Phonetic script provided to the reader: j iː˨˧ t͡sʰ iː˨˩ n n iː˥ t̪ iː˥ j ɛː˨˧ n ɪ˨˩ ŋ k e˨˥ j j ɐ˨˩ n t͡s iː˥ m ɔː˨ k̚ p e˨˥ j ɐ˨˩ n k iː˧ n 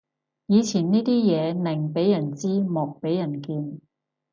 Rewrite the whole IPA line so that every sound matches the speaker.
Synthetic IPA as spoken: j iː˨˧ t͡sʰ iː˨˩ n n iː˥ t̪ iː˥ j ɛː˨˧ n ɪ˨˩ ŋ p e˨˥ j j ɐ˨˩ n t͡s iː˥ m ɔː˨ k̚ p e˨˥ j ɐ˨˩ n k iː˧ n

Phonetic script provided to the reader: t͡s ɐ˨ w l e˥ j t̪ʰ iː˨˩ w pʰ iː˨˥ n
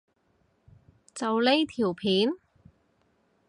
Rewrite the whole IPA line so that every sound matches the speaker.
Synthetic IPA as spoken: t͡s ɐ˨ w l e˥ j t̪ʰ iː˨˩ w pʰ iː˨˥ n

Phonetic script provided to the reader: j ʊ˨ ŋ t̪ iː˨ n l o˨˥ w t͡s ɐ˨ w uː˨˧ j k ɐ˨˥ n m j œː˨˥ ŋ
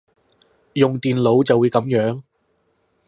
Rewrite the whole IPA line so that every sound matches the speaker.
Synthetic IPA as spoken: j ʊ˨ ŋ t̪ iː˨ n l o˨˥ w t͡s ɐ˨ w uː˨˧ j k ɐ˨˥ m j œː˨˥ ŋ

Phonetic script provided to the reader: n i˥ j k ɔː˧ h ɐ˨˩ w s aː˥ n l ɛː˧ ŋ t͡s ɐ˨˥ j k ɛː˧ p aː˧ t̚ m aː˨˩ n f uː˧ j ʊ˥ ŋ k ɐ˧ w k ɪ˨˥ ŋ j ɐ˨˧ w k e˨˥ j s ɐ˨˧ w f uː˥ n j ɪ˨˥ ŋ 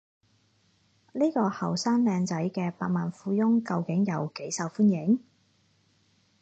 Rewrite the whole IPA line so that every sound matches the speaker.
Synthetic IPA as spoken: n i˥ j k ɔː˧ h ɐ˨˩ w s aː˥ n l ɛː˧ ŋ t͡s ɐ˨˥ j k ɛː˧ p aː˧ t̚ m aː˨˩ n f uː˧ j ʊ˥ ŋ k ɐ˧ w k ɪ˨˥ ŋ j ɐ˨˧ w k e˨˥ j s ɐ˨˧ w f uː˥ n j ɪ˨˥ ŋ

